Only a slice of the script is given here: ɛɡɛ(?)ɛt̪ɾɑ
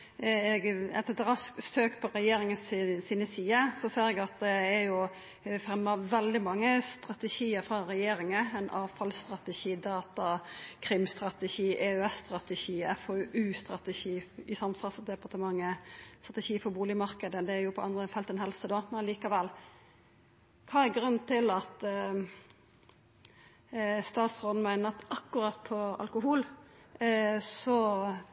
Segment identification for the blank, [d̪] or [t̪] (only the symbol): t̪